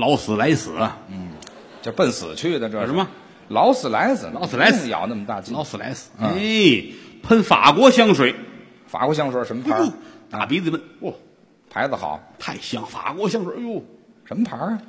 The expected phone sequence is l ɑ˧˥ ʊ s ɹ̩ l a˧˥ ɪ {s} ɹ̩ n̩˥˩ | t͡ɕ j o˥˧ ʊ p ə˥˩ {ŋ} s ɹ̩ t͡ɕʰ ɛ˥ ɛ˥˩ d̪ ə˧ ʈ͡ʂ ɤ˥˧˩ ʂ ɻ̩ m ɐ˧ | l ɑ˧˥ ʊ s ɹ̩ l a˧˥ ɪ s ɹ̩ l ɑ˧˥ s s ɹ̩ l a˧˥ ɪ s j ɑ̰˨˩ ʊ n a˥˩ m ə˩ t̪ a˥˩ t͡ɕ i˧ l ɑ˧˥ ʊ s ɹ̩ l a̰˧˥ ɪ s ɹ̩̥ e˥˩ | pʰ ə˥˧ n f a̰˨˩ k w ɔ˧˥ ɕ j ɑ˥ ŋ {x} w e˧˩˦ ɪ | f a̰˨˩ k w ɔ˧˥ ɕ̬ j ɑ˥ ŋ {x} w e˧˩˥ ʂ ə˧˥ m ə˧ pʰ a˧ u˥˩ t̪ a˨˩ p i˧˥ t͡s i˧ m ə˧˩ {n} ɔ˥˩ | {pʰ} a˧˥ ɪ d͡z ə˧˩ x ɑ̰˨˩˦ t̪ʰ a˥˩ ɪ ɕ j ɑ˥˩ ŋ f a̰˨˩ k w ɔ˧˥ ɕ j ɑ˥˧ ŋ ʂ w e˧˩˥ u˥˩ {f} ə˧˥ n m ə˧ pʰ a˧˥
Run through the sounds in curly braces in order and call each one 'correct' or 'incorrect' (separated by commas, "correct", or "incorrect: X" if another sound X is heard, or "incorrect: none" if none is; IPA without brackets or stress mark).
correct, incorrect: n, incorrect: ʂ, incorrect: ʂ, correct, correct, incorrect: ʂ